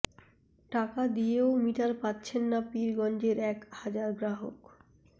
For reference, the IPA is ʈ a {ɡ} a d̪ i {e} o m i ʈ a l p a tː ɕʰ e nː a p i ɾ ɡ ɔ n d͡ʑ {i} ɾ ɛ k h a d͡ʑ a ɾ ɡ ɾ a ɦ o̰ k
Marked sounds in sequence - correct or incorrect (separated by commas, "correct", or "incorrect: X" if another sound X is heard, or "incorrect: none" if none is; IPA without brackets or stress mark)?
incorrect: k, correct, incorrect: e